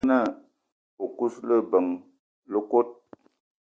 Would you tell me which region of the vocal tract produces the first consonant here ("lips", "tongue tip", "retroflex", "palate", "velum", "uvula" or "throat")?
tongue tip